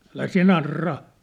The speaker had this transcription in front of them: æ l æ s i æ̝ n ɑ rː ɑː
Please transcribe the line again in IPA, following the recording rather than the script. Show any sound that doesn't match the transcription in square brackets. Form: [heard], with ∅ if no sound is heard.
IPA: æ l æ s i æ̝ n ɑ rː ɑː